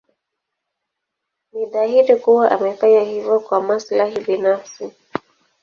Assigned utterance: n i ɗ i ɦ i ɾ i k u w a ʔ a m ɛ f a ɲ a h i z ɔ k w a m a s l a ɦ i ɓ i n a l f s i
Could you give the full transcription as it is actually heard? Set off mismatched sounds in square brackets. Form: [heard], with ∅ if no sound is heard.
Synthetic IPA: n i ɗ [a] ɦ i ɾ i k u w a ʔ a m ɛ f a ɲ a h i [v] ɔ k w a m a s l a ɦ i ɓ i n a [∅] f s i